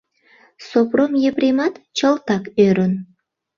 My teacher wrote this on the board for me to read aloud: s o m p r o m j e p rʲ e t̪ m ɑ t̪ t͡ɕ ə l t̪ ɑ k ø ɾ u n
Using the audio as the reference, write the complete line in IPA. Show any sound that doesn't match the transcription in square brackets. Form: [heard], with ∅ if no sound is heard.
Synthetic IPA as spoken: s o [∅] p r o m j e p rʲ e [∅] m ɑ t̪ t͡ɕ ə l t̪ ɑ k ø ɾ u n